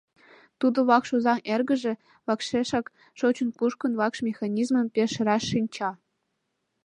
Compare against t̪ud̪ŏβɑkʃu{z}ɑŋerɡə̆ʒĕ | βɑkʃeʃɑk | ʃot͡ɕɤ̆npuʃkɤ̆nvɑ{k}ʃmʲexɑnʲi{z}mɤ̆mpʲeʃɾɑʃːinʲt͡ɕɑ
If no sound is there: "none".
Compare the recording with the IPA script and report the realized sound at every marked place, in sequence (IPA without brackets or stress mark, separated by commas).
z, k, z